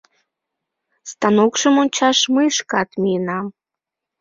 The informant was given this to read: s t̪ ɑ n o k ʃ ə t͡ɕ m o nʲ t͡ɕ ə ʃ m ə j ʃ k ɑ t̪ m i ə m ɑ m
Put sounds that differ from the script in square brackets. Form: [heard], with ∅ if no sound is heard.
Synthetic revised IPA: s t̪ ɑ n o k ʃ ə [∅] m o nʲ t͡ɕ [ɑ] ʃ m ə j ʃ k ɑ t̪ m i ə [n] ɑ m